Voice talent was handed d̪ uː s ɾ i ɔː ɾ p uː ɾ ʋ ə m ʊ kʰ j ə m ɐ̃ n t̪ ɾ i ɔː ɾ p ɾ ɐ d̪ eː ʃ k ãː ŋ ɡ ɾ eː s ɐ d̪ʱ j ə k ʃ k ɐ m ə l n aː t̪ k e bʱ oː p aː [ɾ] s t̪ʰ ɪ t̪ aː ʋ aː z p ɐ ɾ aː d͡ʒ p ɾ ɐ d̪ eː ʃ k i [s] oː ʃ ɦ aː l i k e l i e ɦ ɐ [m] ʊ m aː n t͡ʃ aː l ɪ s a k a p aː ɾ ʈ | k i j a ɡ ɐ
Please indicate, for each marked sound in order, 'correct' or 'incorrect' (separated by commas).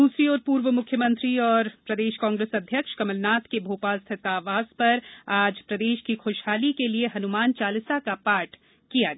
incorrect, incorrect, incorrect